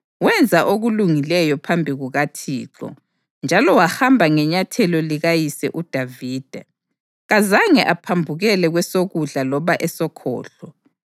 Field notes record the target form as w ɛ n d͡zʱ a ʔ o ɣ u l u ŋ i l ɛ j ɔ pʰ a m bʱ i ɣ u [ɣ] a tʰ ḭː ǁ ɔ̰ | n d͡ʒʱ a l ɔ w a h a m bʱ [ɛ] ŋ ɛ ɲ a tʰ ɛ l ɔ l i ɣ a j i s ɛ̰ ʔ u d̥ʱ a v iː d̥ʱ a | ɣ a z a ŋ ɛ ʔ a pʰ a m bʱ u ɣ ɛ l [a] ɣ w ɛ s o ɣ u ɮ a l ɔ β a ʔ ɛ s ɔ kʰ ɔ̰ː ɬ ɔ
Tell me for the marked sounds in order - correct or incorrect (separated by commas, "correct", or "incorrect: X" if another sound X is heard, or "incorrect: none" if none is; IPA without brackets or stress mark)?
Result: correct, incorrect: a, incorrect: ɛ